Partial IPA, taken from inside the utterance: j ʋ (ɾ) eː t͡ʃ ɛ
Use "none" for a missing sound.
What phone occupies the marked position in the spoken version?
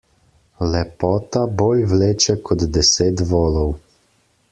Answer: l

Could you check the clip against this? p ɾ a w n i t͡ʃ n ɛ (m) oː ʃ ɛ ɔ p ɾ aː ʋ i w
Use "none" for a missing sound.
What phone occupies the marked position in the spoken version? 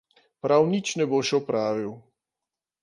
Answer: b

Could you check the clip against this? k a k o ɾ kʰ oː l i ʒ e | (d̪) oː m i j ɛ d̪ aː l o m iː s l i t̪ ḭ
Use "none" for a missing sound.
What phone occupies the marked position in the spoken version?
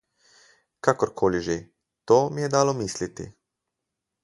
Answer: t̪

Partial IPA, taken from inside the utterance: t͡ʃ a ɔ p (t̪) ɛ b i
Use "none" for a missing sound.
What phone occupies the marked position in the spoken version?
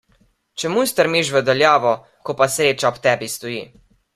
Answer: t̪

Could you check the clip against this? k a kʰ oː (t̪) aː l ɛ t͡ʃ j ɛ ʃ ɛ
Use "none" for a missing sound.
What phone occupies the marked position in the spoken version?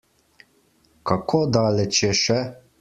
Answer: d̪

